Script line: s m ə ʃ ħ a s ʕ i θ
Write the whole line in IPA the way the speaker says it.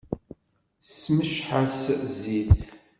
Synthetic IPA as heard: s m ə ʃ ħ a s z i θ